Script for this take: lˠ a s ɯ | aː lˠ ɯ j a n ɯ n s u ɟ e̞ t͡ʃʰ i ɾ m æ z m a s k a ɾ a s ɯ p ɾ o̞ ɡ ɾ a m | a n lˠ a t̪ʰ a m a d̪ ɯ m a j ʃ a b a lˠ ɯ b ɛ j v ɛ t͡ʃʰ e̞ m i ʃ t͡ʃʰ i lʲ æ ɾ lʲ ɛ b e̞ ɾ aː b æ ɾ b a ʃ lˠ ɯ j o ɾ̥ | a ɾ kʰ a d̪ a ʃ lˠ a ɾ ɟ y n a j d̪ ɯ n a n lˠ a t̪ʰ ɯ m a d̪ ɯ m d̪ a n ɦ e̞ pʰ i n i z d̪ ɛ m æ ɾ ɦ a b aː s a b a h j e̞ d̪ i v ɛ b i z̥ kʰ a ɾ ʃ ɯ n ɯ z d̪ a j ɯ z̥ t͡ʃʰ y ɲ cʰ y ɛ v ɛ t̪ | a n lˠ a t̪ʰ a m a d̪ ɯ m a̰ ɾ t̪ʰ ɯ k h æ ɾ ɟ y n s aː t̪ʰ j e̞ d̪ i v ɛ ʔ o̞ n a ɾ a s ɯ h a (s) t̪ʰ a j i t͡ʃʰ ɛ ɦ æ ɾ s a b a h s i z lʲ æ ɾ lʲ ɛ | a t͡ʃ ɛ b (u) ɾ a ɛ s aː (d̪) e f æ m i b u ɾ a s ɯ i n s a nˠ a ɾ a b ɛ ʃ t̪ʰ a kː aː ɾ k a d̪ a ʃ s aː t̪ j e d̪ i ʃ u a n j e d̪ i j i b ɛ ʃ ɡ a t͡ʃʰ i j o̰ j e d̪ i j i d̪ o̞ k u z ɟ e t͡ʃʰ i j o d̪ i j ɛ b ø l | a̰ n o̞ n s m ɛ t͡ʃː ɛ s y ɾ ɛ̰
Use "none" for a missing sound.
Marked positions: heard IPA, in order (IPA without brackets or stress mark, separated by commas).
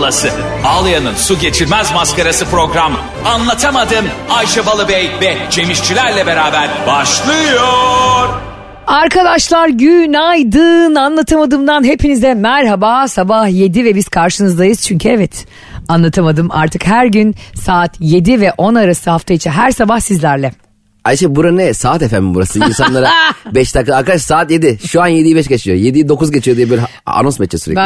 f, u, t̪